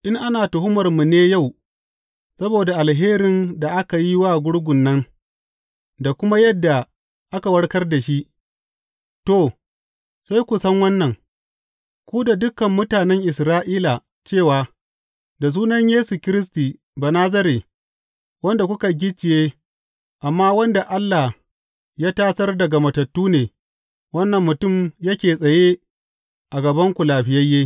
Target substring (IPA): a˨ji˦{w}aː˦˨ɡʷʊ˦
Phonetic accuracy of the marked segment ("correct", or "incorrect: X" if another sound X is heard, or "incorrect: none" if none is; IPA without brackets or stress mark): correct